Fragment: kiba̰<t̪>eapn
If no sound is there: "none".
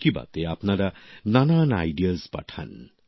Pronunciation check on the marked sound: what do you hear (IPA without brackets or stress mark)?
t̪